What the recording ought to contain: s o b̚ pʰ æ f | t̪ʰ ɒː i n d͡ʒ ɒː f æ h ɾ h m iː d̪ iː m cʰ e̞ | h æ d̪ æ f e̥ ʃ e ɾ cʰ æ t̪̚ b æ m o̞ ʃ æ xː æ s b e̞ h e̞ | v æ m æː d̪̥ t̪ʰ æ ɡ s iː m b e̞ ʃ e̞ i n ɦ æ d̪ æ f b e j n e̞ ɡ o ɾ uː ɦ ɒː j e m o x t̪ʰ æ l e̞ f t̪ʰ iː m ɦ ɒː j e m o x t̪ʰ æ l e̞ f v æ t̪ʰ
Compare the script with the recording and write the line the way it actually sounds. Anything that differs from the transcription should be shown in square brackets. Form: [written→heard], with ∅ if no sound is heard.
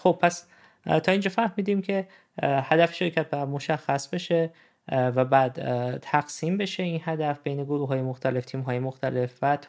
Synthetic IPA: [s→x] o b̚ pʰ æ [f→s] | t̪ʰ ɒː i n d͡ʒ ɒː f æ [h→∅] ɾ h m iː d̪ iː m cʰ e̞ | h æ d̪ æ f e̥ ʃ e ɾ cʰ æ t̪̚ b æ m o̞ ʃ æ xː æ s b e̞ [h→ʃ] e̞ | v æ [m→b] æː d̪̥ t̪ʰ æ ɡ s iː m b e̞ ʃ e̞ i n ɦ æ d̪ æ f b e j n e̞ ɡ o ɾ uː ɦ ɒː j e m o x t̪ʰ æ l e̞ f t̪ʰ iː m ɦ ɒː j e m o x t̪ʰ æ l e̞ f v æ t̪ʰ